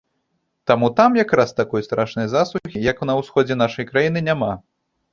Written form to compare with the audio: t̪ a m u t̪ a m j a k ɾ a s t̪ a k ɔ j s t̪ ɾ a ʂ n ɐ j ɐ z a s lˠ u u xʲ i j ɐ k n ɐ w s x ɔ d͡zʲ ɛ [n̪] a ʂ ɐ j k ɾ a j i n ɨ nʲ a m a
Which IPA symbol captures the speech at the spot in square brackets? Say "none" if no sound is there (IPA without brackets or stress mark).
n̪